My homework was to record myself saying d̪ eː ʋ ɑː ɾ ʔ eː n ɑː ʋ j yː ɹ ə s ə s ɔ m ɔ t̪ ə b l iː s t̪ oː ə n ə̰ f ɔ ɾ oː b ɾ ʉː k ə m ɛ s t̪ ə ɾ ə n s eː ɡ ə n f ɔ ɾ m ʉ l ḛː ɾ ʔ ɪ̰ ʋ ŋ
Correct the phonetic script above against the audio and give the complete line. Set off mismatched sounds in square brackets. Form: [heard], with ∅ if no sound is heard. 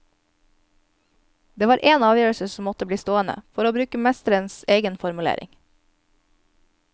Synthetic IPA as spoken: d̪ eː ʋ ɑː ɾ ʔ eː n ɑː ʋ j [øː] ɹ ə s ə s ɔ m ɔ t̪ ə b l iː s t̪ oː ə n ə̰ f ɔ ɾ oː b ɾ ʉː k ə m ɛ s t̪ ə ɾ ə n s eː ɡ ə n f ɔ ɾ m ʉ l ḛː ɾ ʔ ɪ̰ [∅] ŋ